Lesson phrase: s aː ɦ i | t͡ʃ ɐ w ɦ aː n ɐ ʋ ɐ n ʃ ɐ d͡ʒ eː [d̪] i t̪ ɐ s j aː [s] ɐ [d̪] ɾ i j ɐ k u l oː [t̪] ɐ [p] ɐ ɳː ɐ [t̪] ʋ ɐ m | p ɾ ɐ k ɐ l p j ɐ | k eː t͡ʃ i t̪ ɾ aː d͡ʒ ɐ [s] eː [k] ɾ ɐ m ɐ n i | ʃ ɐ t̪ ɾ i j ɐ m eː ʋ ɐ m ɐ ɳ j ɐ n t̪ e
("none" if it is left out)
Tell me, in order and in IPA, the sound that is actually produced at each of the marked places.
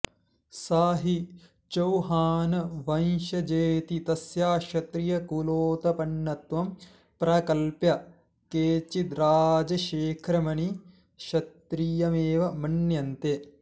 t̪, ʃ, t̪, t̪, p, t̪, ʃ, kʰ

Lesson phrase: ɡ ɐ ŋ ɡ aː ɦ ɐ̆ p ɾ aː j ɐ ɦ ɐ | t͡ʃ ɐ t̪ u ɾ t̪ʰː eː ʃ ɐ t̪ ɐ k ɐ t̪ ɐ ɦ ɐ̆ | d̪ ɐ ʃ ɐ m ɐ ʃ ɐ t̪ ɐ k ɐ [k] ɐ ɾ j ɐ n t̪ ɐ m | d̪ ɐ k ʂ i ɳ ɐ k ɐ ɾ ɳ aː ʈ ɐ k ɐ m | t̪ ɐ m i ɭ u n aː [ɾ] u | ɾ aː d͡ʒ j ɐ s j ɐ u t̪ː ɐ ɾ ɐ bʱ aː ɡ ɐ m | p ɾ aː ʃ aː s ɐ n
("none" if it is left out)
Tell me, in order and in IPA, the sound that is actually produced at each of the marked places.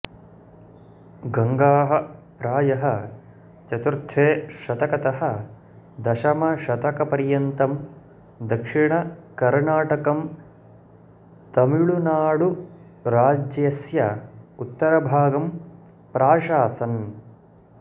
p, ɽ

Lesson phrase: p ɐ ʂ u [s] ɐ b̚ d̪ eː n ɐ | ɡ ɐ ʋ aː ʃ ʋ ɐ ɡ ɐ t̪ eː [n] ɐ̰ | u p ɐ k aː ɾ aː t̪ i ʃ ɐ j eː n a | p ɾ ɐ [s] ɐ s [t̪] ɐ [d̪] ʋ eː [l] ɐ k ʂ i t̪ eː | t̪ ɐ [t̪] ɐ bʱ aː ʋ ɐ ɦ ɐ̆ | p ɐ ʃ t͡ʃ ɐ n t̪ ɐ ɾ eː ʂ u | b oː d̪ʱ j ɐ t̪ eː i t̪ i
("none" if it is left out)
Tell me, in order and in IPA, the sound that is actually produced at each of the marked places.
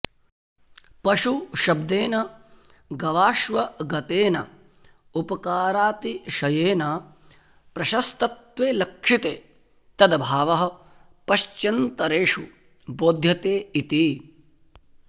ʃ, n, ʃ, t̪, t̪, l, d̪

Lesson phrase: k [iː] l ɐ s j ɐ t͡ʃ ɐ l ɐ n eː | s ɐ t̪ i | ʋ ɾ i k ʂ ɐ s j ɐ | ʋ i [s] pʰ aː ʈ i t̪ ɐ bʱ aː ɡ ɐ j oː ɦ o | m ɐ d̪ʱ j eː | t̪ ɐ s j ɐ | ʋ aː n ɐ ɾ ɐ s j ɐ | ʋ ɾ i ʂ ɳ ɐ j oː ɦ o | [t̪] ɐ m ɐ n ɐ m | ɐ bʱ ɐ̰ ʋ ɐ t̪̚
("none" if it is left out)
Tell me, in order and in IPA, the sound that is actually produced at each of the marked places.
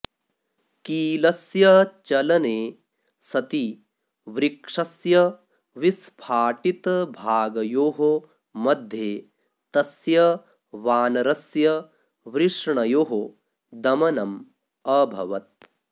iː, s, d̪

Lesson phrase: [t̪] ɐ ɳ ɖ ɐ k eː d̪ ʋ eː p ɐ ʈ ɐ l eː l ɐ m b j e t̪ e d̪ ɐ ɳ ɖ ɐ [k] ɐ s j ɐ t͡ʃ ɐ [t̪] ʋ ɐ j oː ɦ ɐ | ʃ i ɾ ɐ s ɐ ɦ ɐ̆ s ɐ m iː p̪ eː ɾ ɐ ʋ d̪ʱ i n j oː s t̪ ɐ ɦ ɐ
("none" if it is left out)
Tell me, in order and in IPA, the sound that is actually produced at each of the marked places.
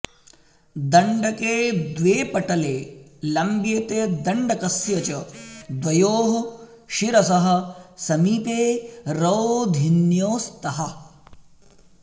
d̪, k, d̪

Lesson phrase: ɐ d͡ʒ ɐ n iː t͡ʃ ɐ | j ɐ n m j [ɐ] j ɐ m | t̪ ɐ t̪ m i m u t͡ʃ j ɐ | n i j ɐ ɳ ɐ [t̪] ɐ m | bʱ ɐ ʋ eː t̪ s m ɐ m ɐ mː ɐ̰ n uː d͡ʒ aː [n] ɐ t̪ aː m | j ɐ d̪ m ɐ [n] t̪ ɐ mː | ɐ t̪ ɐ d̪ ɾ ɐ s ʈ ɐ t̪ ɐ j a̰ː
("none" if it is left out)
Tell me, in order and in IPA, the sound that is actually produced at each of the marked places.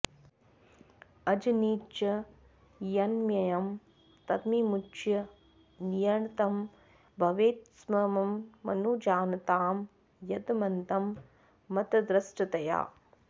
ɐ, t̪, n, n

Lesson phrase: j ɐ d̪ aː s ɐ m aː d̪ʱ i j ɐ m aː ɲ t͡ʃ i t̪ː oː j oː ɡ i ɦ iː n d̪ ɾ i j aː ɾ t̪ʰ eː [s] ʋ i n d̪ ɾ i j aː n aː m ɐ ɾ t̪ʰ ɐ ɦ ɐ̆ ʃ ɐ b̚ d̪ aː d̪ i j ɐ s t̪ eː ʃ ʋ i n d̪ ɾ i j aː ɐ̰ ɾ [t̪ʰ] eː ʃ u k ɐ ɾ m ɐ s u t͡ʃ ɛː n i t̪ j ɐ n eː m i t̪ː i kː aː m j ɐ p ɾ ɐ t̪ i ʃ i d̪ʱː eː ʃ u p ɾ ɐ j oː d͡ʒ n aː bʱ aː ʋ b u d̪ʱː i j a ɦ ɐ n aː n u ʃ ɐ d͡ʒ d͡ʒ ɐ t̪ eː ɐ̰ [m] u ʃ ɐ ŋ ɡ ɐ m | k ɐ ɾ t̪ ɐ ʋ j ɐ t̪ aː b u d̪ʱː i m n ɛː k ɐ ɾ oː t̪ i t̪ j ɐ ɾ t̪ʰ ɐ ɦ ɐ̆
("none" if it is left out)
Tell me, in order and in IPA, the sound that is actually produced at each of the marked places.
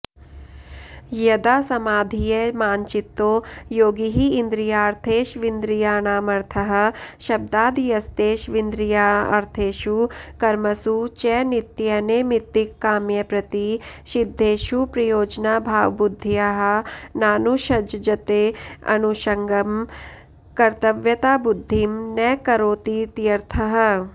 ʃ, t̪ʰ, n

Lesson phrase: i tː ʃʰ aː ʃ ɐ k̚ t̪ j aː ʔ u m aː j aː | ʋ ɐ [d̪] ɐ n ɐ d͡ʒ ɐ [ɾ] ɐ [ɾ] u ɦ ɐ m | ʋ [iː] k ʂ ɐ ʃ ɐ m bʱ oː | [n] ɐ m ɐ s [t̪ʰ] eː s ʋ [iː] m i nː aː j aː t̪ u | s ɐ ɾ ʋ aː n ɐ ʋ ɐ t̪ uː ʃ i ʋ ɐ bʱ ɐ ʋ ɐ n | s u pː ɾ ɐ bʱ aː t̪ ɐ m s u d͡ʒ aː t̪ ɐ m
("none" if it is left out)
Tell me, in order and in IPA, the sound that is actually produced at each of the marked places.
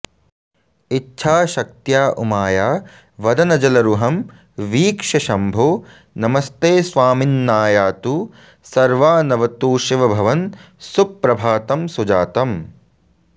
d̪, l, ɾ, iː, n, t̪, aː

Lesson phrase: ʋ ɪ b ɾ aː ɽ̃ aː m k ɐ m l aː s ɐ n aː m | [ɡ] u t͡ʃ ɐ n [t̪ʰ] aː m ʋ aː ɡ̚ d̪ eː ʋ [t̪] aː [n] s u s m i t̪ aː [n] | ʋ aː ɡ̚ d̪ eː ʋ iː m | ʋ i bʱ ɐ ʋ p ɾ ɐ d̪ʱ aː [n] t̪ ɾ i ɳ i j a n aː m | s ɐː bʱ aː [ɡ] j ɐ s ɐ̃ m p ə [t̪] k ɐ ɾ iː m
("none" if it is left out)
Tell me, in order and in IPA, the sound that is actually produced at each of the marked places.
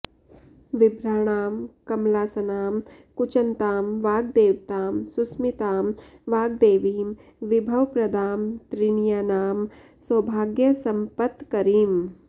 k, t̪, t̪, m, m, m, ɡ, t̪

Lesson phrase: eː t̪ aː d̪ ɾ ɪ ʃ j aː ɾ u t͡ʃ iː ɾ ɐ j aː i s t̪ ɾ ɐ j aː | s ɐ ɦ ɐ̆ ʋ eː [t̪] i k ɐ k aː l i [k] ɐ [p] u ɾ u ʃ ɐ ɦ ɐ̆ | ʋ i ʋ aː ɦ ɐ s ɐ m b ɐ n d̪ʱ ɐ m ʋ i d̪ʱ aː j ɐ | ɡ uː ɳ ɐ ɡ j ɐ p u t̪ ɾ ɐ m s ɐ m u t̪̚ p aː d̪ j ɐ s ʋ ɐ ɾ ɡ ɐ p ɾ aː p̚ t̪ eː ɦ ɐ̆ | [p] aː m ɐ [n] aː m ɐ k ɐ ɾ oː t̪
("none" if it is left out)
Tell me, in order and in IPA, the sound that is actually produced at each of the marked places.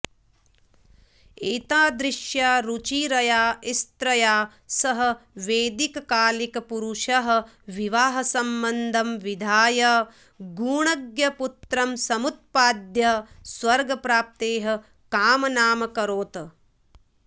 d̪, k, p, k, n

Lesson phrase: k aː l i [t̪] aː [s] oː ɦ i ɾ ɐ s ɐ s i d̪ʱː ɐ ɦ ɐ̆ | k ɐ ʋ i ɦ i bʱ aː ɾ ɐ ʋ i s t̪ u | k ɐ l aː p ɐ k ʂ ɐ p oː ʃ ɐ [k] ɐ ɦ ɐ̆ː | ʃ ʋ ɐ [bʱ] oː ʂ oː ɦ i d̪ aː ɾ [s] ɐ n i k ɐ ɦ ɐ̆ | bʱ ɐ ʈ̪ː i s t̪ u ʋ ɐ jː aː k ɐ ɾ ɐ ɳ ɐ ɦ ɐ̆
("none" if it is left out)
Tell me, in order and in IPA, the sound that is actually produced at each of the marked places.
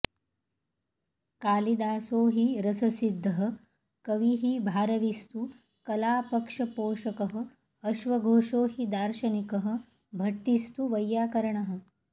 d̪, s, k, ɡʱ, ʃ

